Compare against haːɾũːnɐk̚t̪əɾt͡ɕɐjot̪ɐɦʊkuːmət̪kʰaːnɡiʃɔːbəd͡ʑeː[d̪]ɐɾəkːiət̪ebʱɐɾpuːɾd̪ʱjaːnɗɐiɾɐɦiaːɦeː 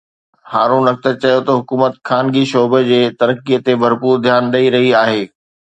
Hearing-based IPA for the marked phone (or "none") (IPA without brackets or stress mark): t̪